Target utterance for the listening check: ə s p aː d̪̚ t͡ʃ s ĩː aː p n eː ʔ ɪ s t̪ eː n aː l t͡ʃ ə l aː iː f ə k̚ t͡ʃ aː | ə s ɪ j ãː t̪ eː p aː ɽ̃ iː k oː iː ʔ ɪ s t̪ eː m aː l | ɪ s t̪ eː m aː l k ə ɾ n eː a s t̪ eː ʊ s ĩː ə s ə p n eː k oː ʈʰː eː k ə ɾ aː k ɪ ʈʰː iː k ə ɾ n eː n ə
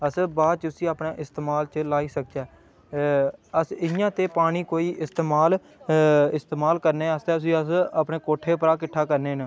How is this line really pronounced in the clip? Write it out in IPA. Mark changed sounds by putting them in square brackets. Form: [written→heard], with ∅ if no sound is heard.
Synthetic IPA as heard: ə s [p→b] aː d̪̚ t͡ʃ s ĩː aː p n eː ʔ ɪ s t̪ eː [n→m] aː l t͡ʃ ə l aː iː [f→s] ə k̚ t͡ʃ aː | ə s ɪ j ãː t̪ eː p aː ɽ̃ iː k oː iː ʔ ɪ s t̪ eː m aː l | ɪ s t̪ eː m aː l k ə ɾ n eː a s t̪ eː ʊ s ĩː ə s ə p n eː k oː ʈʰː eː [k→p] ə ɾ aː k ɪ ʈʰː [iː→aː] k ə ɾ n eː n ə